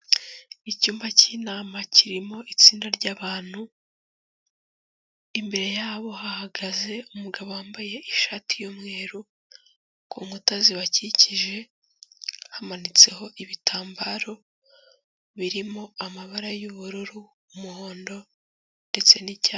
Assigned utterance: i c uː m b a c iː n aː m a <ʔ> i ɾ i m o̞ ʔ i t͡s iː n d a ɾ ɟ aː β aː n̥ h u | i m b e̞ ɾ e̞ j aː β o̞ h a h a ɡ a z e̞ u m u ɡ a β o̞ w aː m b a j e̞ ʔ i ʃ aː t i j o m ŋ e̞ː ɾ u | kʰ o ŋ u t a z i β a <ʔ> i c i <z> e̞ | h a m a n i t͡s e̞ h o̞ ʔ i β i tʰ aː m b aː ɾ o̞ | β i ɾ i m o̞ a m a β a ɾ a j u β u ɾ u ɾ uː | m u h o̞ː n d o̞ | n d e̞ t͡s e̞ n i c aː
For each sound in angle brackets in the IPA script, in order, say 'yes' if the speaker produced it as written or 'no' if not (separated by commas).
no, no, no